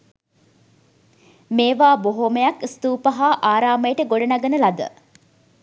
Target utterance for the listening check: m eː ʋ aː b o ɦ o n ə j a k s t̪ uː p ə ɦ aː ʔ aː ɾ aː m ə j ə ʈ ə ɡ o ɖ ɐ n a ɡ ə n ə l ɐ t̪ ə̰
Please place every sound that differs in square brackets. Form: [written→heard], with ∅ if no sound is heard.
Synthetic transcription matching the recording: m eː ʋ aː b o ɦ o [n→m] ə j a k s t̪ uː p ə ɦ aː ʔ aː ɾ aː m ə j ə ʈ ə ɡ o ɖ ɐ n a ɡ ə n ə l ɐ [t̪→d̪] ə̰